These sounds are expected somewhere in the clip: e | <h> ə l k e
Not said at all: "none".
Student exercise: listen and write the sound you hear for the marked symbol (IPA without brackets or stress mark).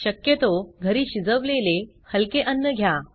h